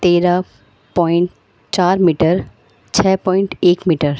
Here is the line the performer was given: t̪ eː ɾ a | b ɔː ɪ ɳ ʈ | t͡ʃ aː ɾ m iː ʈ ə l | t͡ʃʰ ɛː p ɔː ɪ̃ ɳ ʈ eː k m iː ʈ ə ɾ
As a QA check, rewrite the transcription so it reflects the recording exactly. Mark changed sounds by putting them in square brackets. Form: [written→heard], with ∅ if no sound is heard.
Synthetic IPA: t̪ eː ɾ a | [b→p] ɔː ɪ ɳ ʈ | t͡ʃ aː ɾ m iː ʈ ə [l→ɾ] | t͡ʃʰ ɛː p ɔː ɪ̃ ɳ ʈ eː k m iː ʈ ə ɾ

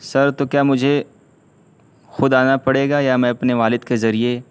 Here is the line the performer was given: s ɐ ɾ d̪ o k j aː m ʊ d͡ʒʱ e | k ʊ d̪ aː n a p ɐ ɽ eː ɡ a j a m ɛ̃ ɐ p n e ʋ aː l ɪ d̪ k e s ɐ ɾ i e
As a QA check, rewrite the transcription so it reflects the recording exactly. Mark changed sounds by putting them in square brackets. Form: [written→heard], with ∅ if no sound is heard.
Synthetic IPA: s ɐ ɾ [d̪→t̪] o k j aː m ʊ d͡ʒʱ e | [k→x] ʊ d̪ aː n a p ɐ ɽ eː ɡ a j a m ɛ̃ ɐ p n e ʋ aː l ɪ d̪ k e [s→z] ɐ ɾ i e

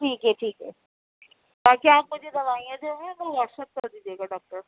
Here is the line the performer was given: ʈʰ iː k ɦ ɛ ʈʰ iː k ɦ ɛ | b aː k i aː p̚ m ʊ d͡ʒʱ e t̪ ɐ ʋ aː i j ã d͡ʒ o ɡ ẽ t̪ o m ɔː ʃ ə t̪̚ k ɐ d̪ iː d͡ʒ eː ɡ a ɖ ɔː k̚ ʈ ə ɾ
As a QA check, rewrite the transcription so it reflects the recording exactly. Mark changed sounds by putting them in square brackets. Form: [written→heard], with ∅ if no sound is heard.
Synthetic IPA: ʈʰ iː k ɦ ɛ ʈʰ iː k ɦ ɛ | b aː k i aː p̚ m ʊ d͡ʒʱ e [t̪→d̪] ɐ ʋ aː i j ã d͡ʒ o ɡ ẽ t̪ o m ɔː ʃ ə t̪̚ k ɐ d̪ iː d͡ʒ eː ɡ a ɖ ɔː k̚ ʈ ə ɾ

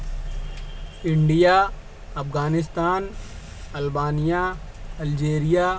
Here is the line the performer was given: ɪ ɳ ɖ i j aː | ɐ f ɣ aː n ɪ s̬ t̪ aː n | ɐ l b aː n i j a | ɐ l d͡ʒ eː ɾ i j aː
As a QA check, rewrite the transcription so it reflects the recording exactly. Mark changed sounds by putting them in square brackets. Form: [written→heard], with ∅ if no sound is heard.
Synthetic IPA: ɪ ɳ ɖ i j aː | ɐ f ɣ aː n ɪ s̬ t̪ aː n | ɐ l b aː n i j a | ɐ l d͡ʒ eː ɾ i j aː

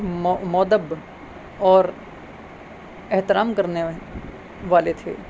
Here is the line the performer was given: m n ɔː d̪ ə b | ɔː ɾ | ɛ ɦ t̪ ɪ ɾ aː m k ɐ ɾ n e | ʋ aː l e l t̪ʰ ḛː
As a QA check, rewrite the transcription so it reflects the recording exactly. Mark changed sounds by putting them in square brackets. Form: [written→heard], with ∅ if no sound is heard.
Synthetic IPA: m [n→m] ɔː d̪ ə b | ɔː ɾ | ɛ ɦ t̪ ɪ ɾ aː m k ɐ ɾ n e | ʋ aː l e [l→∅] t̪ʰ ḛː

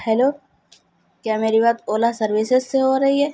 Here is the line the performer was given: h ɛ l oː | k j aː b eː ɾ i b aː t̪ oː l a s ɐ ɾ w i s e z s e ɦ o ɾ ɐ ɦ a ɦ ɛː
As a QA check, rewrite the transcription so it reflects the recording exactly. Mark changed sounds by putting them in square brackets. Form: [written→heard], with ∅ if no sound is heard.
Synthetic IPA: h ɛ l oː | k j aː [b→m] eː ɾ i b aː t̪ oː l a s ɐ ɾ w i s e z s e ɦ o ɾ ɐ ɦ [a→i] ɦ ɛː

